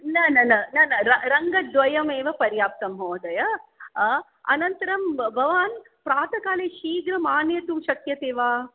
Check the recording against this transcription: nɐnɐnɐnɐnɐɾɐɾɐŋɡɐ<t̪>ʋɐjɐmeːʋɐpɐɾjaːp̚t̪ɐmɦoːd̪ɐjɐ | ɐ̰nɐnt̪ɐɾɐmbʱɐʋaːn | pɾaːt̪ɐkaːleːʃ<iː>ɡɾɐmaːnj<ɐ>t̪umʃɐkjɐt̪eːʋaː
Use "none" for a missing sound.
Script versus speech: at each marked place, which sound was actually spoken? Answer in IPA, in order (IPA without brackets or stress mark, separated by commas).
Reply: d̪, iː, ɐ